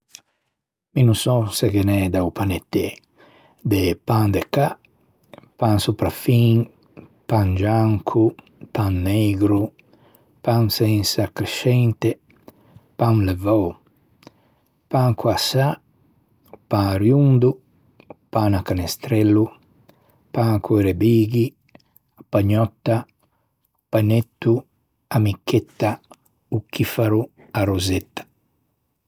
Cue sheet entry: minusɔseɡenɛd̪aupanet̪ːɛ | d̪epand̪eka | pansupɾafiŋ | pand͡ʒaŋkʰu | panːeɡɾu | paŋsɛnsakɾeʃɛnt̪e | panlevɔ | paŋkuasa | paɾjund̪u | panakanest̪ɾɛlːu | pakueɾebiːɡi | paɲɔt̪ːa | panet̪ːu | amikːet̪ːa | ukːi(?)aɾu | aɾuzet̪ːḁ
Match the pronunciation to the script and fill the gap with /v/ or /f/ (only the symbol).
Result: f